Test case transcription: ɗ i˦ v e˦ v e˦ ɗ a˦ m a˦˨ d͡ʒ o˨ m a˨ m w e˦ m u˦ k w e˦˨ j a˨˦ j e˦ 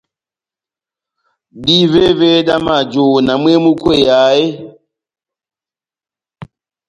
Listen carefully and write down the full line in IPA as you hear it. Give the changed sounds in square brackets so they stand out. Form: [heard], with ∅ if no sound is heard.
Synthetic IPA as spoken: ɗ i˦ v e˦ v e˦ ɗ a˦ m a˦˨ d͡ʒ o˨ [n] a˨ m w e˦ m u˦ k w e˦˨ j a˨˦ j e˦

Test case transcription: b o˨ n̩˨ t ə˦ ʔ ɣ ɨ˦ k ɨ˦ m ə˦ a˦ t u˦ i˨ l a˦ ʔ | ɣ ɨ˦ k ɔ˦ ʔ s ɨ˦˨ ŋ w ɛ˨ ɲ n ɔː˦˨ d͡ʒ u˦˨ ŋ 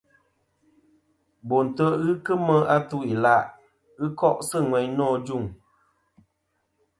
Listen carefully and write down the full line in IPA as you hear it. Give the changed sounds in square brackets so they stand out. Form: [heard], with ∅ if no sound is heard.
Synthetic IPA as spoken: b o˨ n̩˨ t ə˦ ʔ ɣ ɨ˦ k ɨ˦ m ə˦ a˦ t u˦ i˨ l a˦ ʔ | ɣ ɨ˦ k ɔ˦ ʔ s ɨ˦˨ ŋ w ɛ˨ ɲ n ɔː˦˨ d͡ʒ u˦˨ ŋ

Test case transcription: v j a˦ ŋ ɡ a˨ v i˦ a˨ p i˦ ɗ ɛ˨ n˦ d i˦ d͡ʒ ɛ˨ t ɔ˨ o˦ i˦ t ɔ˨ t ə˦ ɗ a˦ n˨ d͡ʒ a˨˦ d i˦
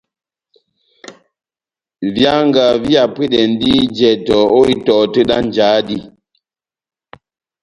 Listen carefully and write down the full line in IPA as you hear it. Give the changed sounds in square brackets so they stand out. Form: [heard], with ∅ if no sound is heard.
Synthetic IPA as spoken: v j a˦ ŋ ɡ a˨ v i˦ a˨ p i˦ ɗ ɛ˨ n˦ d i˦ d͡ʒ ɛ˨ t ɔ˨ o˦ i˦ t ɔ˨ t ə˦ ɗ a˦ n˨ d͡ʒ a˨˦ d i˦

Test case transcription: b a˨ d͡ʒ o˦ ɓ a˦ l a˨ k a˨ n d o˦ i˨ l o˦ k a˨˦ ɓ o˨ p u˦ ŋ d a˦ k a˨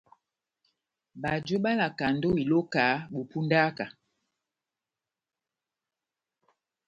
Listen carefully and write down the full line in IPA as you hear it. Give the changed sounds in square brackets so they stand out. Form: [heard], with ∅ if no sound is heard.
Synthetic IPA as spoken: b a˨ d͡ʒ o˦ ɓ a˦ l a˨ k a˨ n d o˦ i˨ l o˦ k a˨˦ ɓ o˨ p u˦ [n] d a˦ k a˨

